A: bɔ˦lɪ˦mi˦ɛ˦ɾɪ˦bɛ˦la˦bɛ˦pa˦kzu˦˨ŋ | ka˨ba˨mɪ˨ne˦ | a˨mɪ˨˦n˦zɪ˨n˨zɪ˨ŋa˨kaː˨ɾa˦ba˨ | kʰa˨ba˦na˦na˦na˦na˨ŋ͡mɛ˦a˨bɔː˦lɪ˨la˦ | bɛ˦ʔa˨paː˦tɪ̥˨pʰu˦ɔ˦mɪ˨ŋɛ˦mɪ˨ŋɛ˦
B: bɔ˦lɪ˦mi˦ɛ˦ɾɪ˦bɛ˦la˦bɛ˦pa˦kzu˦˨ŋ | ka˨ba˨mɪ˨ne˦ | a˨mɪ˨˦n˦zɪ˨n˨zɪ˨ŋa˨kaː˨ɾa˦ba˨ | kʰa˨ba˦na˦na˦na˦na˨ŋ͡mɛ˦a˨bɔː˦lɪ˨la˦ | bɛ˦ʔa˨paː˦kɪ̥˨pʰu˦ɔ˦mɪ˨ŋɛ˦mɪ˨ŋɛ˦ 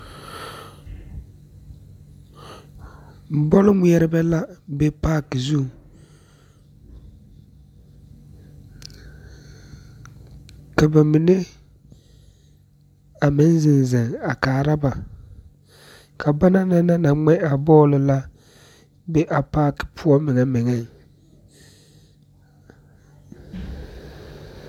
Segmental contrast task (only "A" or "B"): B